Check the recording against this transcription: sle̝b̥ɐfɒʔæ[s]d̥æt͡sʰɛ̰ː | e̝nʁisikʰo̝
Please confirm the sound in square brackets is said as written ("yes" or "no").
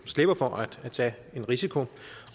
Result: no